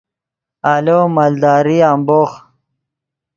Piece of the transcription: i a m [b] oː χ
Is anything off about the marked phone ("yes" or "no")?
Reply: no